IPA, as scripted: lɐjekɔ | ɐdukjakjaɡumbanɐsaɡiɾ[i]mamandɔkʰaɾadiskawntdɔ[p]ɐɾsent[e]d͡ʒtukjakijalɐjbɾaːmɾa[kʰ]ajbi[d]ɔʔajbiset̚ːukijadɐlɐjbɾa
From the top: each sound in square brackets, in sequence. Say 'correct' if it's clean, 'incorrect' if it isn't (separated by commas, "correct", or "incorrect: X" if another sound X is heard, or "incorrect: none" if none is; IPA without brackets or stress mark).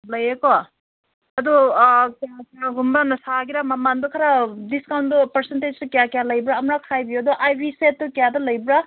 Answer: incorrect: a, correct, correct, correct, correct